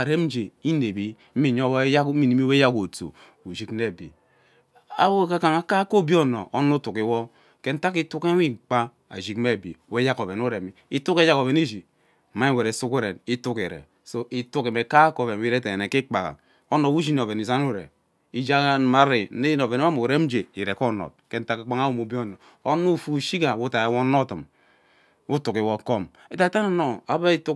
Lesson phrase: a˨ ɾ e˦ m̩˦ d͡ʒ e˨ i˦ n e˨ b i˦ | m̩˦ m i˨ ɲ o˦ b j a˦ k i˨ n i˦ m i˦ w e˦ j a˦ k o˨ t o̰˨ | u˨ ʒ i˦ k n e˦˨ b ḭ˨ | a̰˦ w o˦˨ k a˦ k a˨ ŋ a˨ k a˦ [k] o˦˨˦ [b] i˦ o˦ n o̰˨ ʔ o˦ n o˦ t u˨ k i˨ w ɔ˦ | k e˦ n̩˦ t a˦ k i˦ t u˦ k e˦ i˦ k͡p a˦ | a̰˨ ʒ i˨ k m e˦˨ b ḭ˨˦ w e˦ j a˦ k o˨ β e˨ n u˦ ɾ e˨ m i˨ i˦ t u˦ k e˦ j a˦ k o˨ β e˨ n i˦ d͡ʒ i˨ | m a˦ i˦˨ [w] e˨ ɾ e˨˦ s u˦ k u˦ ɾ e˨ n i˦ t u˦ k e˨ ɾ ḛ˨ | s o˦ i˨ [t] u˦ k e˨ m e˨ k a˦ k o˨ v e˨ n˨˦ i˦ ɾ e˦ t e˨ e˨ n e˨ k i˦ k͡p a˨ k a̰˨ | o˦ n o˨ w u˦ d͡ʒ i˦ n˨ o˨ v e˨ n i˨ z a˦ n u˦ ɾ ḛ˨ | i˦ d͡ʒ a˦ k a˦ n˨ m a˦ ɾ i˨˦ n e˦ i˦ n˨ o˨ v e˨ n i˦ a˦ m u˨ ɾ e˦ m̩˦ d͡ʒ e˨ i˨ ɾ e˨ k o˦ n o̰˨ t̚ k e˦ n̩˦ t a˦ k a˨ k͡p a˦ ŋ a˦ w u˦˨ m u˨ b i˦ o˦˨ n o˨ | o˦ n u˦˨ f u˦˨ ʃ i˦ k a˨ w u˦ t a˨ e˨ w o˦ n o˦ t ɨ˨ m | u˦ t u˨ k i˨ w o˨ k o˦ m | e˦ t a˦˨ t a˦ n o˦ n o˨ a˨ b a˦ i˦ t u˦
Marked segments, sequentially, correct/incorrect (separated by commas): correct, correct, correct, correct